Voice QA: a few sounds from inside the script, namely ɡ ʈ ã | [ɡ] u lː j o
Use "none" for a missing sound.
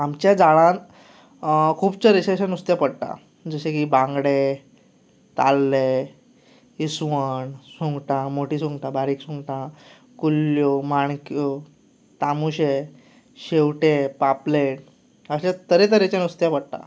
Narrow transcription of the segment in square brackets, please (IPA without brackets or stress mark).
k